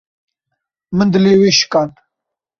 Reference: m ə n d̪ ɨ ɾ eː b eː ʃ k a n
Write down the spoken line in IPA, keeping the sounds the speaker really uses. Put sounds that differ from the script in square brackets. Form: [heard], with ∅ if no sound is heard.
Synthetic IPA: m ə n d̪ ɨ [l] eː [w] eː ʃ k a n